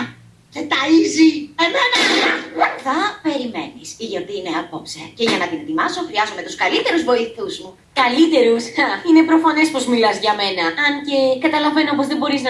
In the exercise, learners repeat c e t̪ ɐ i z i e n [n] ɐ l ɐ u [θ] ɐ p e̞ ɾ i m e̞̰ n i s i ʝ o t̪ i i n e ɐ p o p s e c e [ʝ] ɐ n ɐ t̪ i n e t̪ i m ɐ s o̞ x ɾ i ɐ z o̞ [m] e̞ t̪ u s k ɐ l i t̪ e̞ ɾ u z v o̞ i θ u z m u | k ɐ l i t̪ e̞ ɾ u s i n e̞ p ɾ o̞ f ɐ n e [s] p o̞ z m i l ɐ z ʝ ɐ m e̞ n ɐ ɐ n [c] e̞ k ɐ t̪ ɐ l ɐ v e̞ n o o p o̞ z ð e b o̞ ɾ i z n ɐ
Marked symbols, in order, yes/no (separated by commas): yes, yes, yes, yes, yes, yes